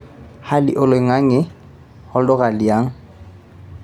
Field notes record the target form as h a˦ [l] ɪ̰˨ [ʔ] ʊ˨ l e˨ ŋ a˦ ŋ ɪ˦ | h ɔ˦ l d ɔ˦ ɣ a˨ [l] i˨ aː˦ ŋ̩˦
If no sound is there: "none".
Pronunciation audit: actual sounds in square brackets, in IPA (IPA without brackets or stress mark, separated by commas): l, ʔ, l